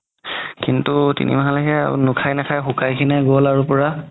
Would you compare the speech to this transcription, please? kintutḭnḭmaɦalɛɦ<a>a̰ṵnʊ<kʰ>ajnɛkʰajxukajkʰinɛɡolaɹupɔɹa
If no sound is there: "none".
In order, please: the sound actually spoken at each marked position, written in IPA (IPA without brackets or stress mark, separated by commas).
ɛ, kʰ